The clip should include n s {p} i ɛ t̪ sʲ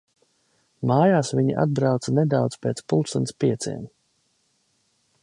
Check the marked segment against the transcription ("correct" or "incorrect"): correct